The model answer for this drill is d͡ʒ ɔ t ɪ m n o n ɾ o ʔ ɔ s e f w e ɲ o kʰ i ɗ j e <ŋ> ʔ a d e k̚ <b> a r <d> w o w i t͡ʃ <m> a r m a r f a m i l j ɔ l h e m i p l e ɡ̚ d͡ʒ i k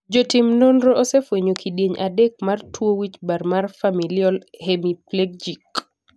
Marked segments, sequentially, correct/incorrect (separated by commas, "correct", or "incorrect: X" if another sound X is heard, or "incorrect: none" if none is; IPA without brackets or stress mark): incorrect: ɲ, incorrect: m, incorrect: t, incorrect: b